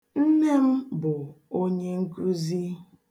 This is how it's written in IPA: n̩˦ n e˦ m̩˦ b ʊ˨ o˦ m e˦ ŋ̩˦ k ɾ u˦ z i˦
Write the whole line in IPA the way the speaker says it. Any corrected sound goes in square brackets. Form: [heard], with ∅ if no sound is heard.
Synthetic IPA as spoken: n̩˦ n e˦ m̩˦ b ʊ˨ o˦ [ɲ] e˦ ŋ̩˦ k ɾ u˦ z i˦